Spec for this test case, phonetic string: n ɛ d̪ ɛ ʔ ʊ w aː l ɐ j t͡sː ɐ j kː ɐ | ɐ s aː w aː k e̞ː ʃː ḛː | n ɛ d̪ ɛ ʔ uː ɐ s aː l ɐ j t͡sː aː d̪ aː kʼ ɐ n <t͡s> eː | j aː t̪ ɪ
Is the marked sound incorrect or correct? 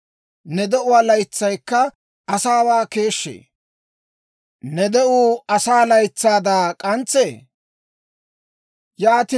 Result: correct